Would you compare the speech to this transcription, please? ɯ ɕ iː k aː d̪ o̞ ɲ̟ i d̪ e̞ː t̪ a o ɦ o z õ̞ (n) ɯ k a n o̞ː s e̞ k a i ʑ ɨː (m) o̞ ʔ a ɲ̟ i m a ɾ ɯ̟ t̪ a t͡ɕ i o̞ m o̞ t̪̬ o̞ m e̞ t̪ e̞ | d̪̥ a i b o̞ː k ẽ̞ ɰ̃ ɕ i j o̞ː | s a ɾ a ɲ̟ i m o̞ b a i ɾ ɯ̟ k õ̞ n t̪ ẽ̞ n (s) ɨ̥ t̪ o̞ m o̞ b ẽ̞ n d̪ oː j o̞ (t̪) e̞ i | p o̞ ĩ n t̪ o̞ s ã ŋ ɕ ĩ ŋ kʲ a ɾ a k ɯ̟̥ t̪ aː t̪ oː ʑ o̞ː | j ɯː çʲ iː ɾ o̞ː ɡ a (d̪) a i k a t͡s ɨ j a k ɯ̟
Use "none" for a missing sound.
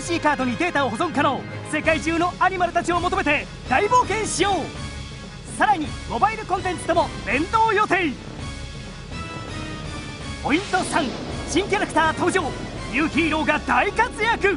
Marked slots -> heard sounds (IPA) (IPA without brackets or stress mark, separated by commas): ŋ, n, t͡s, t̪, d̪